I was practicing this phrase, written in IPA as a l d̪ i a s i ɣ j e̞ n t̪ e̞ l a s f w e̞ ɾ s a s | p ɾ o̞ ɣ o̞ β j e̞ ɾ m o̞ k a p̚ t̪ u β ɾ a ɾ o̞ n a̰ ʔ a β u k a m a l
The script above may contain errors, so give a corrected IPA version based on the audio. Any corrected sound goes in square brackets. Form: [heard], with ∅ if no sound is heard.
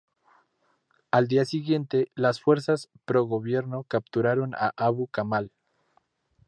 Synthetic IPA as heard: a l d̪ i a s i ɣ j e̞ n t̪ e̞ l a s f w e̞ ɾ s a s | p ɾ o̞ ɣ o̞ β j e̞ ɾ [n] o̞ k a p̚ t̪ u [∅] ɾ a ɾ o̞ n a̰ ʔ a β u k a m a l